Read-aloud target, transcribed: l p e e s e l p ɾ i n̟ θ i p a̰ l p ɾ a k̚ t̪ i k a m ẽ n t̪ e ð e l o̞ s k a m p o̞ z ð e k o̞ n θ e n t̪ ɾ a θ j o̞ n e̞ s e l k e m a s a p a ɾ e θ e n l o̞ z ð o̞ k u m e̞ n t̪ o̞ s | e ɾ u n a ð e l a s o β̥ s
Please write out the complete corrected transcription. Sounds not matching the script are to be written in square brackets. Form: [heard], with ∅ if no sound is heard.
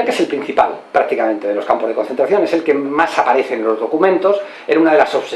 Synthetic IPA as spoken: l [k] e e s e l p ɾ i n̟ θ i p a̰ l p ɾ a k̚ t̪ i k a m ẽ n t̪ e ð e l o̞ s k a m p o̞ z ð e k o̞ n θ e n t̪ ɾ a θ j o̞ n e̞ s e l k e m a s a p a ɾ e θ e n l o̞ z ð o̞ k u m [ẽ̞] n t̪ o̞ s | e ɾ u n a ð e l a s o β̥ s